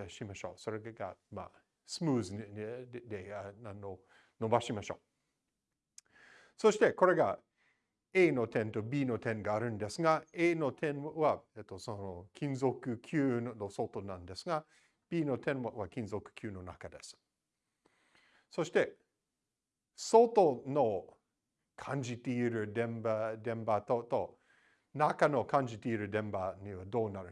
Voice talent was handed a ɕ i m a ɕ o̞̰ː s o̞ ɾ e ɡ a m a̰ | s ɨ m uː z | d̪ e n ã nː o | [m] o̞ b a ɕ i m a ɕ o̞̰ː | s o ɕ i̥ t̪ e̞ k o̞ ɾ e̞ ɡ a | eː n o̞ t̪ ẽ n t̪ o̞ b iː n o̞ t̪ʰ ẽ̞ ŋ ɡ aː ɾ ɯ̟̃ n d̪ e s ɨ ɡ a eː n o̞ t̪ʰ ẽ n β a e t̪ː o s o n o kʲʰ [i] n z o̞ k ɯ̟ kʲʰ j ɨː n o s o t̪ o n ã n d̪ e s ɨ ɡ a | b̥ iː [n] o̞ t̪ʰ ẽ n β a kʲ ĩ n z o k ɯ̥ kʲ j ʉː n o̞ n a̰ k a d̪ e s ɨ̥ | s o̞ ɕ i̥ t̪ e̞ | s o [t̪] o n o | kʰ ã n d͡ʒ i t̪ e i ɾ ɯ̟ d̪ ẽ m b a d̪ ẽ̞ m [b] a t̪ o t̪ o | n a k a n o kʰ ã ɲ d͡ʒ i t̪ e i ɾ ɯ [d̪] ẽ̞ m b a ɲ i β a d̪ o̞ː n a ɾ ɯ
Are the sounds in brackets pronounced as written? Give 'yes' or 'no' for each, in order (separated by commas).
no, no, yes, yes, yes, yes